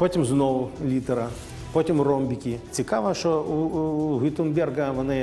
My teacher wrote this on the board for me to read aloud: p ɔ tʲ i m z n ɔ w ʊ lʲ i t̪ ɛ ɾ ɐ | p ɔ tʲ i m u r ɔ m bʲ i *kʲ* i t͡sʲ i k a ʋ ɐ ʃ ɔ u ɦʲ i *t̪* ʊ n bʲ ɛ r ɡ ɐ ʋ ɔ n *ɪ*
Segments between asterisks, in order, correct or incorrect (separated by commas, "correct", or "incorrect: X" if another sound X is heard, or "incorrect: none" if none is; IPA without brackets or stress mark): correct, correct, correct